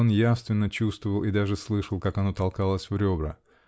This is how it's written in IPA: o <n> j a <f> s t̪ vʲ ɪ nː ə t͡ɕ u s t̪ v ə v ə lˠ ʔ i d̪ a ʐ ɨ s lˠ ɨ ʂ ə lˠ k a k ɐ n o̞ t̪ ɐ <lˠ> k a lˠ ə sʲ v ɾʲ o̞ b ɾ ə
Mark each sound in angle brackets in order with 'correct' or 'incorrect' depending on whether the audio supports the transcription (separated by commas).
correct, correct, correct